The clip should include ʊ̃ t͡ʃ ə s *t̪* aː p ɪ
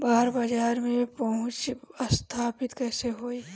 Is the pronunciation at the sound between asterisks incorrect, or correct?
incorrect